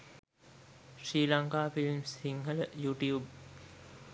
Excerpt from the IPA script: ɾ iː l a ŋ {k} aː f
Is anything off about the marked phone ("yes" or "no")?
no